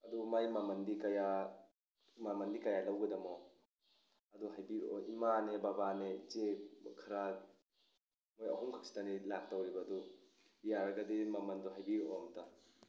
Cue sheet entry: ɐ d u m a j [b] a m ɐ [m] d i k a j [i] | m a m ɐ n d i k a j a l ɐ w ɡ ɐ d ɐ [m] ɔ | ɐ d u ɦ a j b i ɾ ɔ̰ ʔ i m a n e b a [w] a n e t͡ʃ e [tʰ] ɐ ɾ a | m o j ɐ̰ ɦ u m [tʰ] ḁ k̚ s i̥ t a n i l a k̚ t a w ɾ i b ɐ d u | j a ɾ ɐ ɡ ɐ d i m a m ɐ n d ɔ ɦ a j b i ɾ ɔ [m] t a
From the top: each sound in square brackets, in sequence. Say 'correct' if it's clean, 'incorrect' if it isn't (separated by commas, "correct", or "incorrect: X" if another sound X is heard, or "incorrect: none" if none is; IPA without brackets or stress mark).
incorrect: m, incorrect: n, incorrect: a, correct, incorrect: b, incorrect: kʰ, incorrect: kʰ, correct